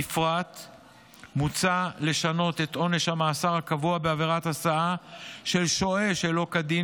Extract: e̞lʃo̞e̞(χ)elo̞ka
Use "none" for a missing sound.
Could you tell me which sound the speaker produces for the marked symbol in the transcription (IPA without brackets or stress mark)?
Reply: ʃ